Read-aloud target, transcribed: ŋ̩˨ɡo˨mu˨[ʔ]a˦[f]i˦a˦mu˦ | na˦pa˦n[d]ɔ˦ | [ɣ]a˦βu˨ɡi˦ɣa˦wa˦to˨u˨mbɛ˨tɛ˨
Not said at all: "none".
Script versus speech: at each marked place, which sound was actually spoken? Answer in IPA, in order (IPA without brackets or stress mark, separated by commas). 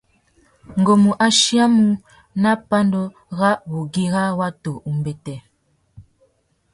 ʔ, ʃ, d, ɣ